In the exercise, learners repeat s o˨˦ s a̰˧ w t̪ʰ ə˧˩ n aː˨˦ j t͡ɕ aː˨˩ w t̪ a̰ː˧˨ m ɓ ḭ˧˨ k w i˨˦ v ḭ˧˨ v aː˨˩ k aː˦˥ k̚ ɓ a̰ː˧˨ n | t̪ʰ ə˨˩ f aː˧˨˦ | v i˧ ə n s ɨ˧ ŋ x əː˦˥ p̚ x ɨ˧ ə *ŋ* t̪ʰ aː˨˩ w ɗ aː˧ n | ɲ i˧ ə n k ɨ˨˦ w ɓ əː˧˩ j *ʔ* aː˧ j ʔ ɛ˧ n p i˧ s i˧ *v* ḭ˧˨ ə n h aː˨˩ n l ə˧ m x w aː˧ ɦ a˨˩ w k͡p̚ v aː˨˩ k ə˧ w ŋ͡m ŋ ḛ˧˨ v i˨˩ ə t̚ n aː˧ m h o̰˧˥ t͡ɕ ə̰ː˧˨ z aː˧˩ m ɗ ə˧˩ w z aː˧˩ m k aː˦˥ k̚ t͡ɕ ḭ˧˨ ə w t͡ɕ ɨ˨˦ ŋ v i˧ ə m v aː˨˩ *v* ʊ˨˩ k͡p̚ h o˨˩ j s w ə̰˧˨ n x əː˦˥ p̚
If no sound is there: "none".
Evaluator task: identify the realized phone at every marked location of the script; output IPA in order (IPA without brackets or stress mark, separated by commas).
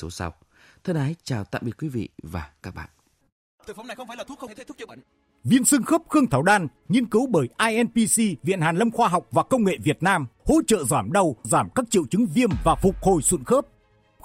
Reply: ŋ, ʔ, v, f